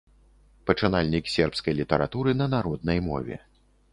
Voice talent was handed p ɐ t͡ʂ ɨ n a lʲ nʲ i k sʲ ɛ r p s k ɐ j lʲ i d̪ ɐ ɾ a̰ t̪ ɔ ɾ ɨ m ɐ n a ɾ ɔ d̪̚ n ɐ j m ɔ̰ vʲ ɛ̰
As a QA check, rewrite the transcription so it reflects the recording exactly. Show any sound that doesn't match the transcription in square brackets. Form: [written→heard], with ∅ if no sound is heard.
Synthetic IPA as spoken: p ɐ t͡ʂ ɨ n a lʲ nʲ i k sʲ ɛ r p s k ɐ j lʲ i [d̪→t̪] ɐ ɾ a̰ t̪ [ɔ→u] ɾ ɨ [m→n] ɐ n a ɾ ɔ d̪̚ n ɐ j m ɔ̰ vʲ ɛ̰